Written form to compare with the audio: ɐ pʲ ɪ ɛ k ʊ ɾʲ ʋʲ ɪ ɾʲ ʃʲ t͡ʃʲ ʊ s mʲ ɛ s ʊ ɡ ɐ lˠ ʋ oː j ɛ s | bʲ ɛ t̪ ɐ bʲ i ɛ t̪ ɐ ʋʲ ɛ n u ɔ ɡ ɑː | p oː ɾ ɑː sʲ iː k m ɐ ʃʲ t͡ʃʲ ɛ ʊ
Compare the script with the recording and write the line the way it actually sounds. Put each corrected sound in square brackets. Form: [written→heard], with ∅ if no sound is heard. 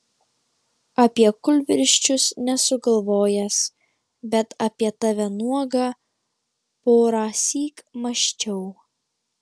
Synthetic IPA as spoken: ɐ pʲ [ɪ→i] ɛ k ʊ [ɾʲ→lʲ] ʋʲ ɪ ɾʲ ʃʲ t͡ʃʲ ʊ s [mʲ→nʲ] ɛ s ʊ ɡ ɐ lˠ ʋ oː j ɛ s | bʲ ɛ t̪ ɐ [bʲ→pʲ] i ɛ t̪ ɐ ʋʲ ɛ n u ɔ ɡ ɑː | p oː ɾ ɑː sʲ iː k m ɐ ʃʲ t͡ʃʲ ɛ ʊ